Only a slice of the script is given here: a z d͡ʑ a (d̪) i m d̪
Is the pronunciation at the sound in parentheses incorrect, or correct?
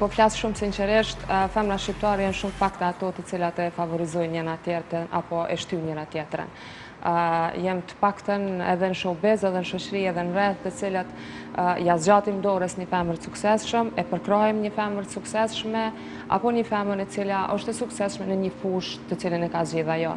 incorrect